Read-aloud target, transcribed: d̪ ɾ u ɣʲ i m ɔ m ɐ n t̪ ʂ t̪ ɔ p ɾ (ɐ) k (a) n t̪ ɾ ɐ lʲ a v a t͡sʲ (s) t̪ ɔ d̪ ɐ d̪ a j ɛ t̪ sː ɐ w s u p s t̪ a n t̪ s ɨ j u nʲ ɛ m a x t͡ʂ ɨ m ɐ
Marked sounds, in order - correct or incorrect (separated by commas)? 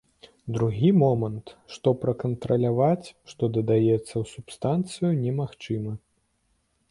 correct, incorrect, incorrect